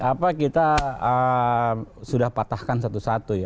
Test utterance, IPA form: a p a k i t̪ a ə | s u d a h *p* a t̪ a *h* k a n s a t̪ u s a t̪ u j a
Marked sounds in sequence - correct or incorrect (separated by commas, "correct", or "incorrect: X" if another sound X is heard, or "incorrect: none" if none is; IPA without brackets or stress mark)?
correct, correct